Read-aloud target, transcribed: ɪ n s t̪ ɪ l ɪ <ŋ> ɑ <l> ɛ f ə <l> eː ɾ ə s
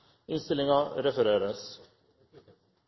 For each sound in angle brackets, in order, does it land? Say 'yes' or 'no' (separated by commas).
yes, no, no